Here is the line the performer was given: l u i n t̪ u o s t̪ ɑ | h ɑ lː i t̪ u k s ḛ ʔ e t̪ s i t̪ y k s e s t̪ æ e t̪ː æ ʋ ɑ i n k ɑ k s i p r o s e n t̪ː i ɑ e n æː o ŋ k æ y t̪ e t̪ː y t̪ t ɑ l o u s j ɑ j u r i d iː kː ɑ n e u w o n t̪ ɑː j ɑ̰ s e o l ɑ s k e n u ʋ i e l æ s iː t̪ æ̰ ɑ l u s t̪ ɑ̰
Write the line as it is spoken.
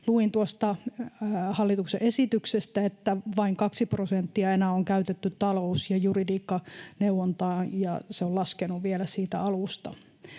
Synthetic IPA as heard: l u i n t̪ u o s t̪ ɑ | h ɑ lː i t̪ u k s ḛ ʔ e s i t̪ y k s e s t̪ æ e t̪ː æ ʋ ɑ i ŋ k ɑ k s i p r o s e n t̪ː i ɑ e n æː o ŋ k æ y t̪ e t̪ː y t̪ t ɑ l o u s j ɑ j u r i d iː kː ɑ n e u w o n t̪ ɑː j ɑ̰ s e o l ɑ s k e n u ʋ i e l æ s iː t̪ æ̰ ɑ l u s t̪ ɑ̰